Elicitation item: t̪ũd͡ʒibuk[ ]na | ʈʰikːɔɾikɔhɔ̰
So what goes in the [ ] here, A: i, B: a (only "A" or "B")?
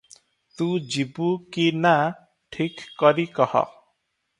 A